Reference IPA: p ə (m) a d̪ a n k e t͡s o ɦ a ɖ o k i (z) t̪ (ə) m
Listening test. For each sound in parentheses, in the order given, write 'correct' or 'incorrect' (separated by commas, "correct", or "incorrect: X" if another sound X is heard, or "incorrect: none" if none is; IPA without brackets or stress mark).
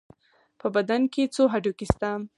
incorrect: b, incorrect: s, incorrect: a